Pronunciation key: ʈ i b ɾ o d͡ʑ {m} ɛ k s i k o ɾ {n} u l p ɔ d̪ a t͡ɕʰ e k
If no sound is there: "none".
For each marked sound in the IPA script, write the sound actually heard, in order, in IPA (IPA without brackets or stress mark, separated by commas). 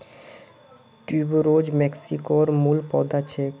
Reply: m, m